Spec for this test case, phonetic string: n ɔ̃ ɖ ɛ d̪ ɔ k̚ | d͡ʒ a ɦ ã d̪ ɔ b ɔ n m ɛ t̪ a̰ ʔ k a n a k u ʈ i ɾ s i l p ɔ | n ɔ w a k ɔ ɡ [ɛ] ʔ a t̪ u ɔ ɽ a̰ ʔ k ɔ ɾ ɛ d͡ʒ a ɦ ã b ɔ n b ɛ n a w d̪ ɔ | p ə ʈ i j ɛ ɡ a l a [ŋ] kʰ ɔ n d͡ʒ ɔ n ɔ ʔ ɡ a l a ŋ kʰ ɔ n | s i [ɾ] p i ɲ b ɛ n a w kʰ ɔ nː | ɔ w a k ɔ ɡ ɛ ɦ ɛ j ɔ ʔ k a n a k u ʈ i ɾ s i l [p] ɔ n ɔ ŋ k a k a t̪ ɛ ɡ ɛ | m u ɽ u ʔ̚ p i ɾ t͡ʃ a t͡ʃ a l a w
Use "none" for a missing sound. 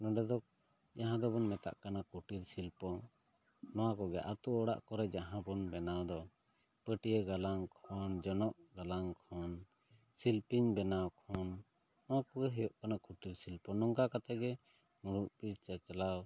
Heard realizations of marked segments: ɛ, ŋ, l, p

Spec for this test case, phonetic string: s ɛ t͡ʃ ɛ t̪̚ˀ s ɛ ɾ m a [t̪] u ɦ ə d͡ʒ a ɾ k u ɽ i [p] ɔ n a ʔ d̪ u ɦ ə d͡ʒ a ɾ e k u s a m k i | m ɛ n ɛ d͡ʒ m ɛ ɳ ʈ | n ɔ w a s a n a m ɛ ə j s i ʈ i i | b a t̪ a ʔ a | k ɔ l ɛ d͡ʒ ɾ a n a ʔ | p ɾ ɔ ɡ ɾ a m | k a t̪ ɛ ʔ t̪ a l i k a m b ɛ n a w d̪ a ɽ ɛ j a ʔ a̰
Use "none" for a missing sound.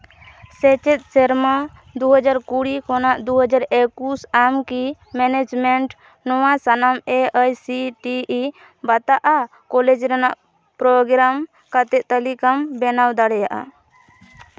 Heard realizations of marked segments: d̪, k

